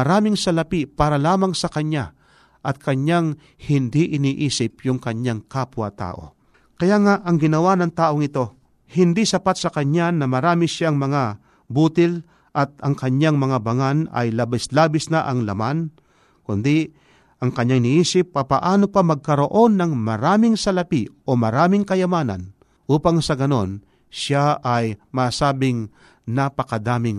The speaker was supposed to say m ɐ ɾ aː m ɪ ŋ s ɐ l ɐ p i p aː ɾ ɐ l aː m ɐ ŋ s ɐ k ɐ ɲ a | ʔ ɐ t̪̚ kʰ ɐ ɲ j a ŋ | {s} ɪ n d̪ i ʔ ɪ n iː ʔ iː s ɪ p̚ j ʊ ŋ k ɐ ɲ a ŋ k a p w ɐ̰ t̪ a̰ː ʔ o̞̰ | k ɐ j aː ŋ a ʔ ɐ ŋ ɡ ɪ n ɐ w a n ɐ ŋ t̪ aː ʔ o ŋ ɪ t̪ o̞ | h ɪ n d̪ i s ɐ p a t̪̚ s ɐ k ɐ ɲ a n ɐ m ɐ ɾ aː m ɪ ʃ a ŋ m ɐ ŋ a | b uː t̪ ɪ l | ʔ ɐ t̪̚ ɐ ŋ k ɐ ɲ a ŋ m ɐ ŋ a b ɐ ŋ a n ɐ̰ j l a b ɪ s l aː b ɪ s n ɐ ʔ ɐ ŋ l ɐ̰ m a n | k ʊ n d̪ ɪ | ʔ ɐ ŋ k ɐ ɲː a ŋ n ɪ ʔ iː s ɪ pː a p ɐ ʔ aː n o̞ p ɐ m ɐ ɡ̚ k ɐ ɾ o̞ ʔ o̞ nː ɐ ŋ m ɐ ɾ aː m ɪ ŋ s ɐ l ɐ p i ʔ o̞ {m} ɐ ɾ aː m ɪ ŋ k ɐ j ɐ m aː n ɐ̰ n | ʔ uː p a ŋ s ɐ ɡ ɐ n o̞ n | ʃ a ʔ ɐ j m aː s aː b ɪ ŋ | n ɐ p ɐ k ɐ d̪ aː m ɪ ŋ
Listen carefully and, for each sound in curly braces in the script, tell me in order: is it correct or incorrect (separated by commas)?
incorrect, correct